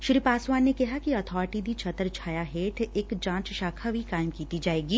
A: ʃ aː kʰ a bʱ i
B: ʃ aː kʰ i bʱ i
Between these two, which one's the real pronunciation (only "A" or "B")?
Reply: A